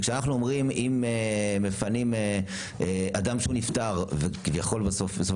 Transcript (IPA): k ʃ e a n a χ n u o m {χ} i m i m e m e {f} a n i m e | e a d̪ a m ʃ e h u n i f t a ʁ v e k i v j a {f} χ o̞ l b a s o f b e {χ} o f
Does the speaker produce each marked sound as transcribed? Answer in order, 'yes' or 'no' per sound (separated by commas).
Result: no, yes, no, no